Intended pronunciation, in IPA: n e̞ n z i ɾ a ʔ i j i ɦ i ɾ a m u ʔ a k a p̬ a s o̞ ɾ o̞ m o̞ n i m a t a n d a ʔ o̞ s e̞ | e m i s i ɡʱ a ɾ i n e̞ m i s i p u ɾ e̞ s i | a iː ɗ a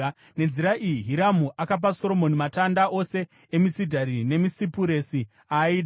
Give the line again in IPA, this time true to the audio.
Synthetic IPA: n e̞ n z i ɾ a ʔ i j i ɦ i ɾ a m u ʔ a k a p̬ a s o̞ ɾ o̞ m o̞ n i m a t a n d a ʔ o̞ s e̞ | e m i s i dʱ a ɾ i n e̞ m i s i p u ɾ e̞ s i | a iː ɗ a